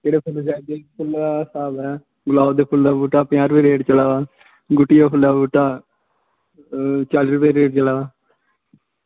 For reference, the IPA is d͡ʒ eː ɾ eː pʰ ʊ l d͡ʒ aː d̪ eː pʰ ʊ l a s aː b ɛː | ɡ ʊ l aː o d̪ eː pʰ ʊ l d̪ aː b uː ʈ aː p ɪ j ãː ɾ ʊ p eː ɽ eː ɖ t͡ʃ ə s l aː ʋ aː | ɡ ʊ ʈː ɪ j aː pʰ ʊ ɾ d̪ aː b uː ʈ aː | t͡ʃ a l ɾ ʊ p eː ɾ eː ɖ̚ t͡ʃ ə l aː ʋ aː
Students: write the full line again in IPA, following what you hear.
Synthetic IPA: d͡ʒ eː ɽ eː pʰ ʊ l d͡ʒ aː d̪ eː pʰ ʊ l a s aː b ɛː | ɡ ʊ l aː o d̪ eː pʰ ʊ l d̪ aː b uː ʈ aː p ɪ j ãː ɾ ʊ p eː ɾ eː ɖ t͡ʃ ə l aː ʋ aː | ɡ ʊ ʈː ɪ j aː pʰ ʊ l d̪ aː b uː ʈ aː | t͡ʃ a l ɾ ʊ p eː ɾ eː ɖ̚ t͡ʃ ə l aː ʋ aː